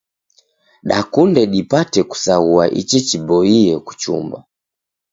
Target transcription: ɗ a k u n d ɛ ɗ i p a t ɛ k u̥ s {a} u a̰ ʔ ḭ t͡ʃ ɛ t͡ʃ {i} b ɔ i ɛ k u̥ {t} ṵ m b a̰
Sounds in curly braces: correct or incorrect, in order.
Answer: correct, correct, incorrect: t͡ʃ

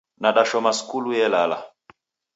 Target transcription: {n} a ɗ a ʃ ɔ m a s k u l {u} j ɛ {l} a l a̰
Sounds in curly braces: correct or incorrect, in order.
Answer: correct, correct, correct

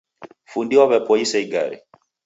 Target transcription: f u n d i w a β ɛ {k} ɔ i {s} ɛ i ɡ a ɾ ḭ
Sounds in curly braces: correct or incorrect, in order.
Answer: incorrect: p, correct

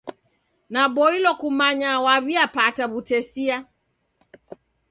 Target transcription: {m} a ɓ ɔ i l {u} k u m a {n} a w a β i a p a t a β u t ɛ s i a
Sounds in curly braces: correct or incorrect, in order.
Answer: incorrect: n, incorrect: ɔ, incorrect: ɲ

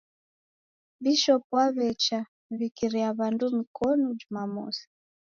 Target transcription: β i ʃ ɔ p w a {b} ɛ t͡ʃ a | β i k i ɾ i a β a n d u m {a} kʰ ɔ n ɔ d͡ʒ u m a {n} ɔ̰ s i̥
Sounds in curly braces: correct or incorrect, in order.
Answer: incorrect: β, incorrect: i, incorrect: m

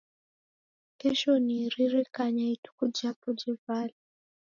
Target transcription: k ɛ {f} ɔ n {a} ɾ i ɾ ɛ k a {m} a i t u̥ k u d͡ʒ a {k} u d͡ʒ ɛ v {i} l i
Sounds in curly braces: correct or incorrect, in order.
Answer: incorrect: ʃ, incorrect: i, incorrect: ɲ, incorrect: p, incorrect: a

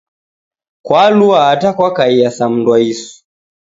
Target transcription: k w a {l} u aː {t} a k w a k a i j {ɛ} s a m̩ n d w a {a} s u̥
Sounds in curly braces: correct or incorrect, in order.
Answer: correct, correct, incorrect: a, incorrect: i

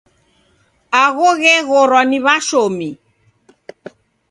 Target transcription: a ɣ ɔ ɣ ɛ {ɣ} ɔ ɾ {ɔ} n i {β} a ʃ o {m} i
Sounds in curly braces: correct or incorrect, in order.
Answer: correct, correct, correct, correct

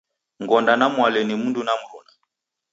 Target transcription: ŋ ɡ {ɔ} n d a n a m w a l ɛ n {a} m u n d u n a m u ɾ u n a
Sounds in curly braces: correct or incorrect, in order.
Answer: correct, incorrect: i

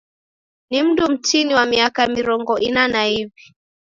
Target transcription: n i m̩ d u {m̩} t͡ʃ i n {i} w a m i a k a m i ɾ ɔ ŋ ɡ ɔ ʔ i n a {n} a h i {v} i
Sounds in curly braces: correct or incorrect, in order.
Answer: correct, correct, correct, correct

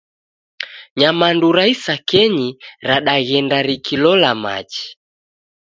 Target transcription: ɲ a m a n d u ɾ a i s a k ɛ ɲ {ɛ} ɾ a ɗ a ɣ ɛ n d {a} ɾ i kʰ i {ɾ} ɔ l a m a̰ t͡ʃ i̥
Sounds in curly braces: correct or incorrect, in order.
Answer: incorrect: i, correct, incorrect: l

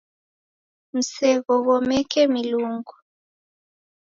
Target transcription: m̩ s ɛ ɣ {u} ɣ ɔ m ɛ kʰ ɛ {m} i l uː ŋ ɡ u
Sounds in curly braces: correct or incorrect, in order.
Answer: incorrect: ɔ, correct

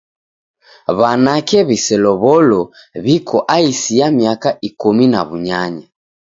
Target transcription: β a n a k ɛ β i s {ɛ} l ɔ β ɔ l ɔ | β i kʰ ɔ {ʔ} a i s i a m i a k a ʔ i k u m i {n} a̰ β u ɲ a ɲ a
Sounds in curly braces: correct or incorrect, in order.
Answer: correct, correct, correct

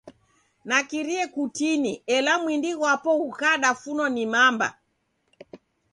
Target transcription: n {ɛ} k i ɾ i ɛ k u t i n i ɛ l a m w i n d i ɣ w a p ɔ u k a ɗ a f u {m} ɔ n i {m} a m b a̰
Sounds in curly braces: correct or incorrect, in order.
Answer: incorrect: a, incorrect: n, correct

